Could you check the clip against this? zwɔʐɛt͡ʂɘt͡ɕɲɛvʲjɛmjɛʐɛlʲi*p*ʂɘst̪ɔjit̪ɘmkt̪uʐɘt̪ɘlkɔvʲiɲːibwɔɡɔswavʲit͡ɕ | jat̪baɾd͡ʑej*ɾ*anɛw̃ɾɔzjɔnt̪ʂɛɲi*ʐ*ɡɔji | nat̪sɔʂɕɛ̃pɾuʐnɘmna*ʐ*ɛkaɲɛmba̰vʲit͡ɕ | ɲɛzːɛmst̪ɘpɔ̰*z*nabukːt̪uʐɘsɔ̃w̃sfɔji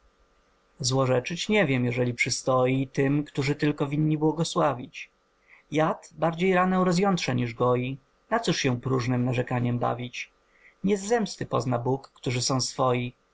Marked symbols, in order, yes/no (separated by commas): yes, yes, yes, yes, yes